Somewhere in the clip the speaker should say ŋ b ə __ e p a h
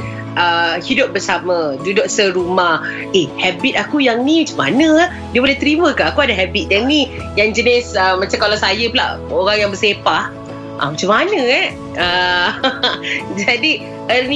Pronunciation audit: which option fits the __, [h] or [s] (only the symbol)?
s